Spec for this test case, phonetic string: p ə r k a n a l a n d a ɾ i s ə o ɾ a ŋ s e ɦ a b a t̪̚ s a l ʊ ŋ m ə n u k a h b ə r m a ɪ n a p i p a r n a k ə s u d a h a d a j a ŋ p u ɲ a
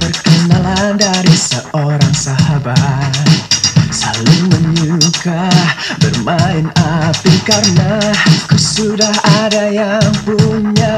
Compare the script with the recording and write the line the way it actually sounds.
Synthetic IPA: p ə r k ə n a l a n d a ɾ i s ə o ɾ a ŋ s a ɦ a b a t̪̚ s a l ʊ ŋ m ə ɲ u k a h b ə r m a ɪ n a p i k a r n a k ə s u d a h a d a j a ŋ p u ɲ a